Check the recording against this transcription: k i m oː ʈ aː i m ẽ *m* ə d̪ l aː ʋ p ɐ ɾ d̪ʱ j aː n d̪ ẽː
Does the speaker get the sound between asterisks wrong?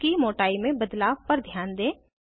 yes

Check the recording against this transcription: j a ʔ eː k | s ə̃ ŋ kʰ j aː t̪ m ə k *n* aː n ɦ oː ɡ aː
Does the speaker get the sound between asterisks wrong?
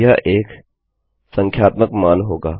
yes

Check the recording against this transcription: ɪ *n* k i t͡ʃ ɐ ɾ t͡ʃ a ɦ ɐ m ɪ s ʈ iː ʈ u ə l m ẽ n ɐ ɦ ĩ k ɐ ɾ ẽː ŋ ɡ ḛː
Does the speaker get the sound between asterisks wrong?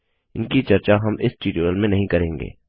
no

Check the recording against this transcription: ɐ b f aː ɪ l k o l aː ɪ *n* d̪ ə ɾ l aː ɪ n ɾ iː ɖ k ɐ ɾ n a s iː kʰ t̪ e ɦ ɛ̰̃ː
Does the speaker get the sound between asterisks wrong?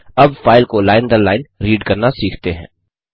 no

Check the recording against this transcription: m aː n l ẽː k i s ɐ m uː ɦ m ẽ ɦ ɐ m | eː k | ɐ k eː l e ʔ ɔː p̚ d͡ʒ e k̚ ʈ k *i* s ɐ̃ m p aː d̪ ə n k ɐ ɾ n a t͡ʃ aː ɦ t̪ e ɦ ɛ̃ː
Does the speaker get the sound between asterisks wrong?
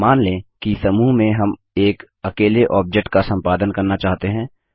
yes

